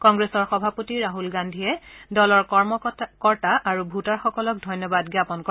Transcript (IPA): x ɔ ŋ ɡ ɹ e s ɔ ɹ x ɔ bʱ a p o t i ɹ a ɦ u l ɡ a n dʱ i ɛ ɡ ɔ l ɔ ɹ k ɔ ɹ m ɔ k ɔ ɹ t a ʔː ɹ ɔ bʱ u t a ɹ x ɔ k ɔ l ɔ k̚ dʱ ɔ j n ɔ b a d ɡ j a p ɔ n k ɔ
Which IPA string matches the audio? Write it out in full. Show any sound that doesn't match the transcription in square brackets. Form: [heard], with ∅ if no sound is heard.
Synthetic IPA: [k] ɔ ŋ ɡ ɹ e s ɔ ɹ x ɔ bʱ a p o t i ɹ a ɦ u l ɡ a n dʱ i ɛ [d] ɔ l ɔ ɹ k ɔ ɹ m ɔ k ɔ ɹ t a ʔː ɹ [u] bʱ u t a ɹ x ɔ k ɔ l ɔ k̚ dʱ ɔ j n ɔ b a d ɡ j a p ɔ n k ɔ